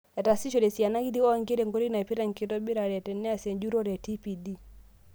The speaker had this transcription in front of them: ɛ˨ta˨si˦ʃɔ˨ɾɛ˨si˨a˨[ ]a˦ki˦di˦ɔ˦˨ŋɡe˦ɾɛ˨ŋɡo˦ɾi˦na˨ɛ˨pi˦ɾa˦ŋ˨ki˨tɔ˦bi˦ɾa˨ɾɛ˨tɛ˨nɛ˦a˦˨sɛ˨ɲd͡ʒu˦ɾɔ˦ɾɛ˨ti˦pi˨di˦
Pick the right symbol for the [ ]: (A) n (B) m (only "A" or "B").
A